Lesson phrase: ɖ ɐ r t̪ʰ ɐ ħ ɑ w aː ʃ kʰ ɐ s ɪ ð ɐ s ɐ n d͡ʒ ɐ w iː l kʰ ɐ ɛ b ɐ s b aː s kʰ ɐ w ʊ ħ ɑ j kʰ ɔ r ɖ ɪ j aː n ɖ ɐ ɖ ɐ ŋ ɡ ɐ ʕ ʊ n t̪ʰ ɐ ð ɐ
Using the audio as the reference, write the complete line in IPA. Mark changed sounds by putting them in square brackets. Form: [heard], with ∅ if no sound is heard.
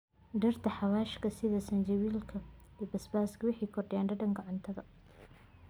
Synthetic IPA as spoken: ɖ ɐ r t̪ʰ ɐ ħ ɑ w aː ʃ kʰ ɐ s ɪ ð ɐ s ɐ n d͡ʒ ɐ w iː l kʰ ɐ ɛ b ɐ s b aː s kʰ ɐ w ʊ ħ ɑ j kʰ ɔ r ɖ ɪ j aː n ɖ ɐ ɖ ɐ ŋ ɡ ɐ ʕ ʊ n t̪ʰ ɐ ð ɐ